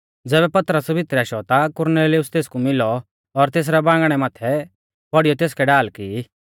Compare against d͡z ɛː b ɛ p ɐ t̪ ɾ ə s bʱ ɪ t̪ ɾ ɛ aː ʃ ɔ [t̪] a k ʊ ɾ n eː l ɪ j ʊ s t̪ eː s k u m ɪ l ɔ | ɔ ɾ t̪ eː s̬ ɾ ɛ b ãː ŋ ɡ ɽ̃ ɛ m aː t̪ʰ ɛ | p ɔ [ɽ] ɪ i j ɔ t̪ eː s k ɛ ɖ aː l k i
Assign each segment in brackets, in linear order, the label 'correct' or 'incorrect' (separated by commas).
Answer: correct, correct